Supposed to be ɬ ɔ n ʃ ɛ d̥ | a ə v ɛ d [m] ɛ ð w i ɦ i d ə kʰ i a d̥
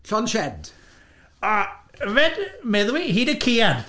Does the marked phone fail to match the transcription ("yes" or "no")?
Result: no